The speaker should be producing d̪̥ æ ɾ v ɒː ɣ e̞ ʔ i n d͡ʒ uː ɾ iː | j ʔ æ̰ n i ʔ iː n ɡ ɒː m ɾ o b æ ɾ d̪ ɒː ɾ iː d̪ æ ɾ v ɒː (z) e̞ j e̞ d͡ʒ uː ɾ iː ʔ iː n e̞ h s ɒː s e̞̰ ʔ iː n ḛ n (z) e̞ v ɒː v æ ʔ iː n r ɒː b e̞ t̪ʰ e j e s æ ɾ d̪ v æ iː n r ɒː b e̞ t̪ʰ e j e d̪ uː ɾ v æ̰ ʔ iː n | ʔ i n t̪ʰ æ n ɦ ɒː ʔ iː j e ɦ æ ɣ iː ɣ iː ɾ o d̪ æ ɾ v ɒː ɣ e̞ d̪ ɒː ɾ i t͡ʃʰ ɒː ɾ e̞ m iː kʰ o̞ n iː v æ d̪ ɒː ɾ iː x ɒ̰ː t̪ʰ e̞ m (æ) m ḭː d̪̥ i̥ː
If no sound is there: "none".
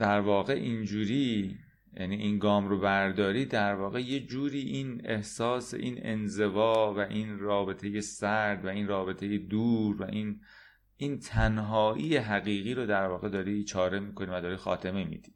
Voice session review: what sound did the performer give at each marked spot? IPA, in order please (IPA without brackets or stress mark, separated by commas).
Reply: ɣ, z, e